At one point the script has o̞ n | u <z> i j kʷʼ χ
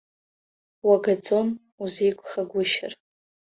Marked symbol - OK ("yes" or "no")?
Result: yes